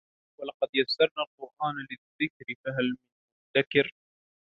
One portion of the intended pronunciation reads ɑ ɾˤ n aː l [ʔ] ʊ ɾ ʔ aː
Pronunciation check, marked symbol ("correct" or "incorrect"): incorrect